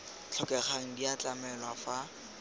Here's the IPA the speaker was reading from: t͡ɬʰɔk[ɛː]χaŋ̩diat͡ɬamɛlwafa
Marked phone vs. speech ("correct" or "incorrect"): incorrect